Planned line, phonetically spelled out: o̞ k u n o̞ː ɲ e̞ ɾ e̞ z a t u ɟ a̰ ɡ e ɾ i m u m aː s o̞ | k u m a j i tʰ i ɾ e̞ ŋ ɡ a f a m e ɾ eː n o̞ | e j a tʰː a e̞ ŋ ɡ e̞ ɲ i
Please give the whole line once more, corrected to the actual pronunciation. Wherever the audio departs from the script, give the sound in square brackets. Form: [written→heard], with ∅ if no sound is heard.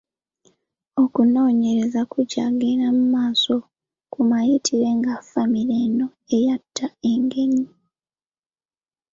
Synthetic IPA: o̞ k u n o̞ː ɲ e̞ ɾ e̞ z a [t→k] u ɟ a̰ ɡ e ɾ [i→a] m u m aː s o̞ | k u m a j i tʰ i ɾ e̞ ŋ ɡ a f a m [e→i] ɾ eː n o̞ | e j a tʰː a e̞ ŋ ɡ e̞ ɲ i